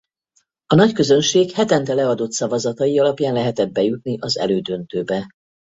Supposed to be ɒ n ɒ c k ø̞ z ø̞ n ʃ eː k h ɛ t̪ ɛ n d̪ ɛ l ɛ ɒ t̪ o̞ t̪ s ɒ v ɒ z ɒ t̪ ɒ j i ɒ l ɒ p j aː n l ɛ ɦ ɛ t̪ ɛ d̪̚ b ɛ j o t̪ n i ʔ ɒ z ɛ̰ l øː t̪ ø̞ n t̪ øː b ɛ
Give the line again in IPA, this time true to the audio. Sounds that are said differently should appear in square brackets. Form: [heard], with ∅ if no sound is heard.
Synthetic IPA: ɒ n ɒ c k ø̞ z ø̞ n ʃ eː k h ɛ t̪ ɛ n [t̪] ɛ l ɛ ɒ [d̪] o̞ t̪ s ɒ v ɒ z ɒ t̪ ɒ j i ɒ l ɒ p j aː n l ɛ ɦ ɛ t̪ ɛ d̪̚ b ɛ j [u] t̪ n i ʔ ɒ z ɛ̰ l øː [d̪] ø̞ n t̪ øː b ɛ